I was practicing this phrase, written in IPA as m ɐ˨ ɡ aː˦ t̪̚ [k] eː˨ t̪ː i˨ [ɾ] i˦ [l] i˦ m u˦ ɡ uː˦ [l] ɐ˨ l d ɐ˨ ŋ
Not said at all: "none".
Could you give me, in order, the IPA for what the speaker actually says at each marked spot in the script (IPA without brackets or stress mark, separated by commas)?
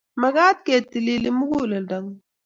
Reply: k, l, l, l